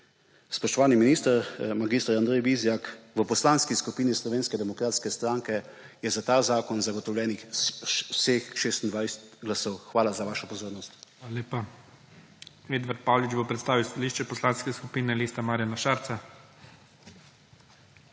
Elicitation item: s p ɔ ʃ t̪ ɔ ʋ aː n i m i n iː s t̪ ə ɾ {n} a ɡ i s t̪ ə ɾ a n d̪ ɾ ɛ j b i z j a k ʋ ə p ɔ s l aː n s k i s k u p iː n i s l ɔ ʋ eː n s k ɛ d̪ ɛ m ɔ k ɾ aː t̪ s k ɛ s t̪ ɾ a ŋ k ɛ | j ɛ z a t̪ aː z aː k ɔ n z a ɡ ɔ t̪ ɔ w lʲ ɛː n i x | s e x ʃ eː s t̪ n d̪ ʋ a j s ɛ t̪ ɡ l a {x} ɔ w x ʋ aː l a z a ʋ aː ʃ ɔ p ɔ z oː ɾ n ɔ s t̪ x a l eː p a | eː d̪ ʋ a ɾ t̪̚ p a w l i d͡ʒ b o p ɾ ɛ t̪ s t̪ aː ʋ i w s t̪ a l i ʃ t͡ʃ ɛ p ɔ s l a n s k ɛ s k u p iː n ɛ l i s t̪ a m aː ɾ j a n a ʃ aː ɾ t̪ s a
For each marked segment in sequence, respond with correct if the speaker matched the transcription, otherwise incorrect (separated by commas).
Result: incorrect, incorrect